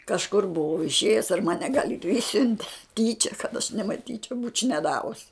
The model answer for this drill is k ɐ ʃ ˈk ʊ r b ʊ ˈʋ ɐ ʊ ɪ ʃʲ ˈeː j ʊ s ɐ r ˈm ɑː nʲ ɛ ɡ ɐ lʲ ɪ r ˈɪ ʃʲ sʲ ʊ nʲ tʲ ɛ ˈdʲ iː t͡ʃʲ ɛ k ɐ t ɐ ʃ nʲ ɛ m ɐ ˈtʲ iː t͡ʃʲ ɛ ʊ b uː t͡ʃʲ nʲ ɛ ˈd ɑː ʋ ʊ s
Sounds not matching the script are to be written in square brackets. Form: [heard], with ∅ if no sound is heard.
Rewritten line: k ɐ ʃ ˈk ʊ r b ʊ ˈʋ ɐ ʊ ɪ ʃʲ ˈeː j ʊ s ɐ r ˈm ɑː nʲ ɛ ɡ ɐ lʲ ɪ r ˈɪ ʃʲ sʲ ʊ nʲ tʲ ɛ [ˈtʲ] iː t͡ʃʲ ɛ k ɐ t ɐ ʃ nʲ ɛ m ɐ ˈtʲ iː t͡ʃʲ ɛ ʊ b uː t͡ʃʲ nʲ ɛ ˈd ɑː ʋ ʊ s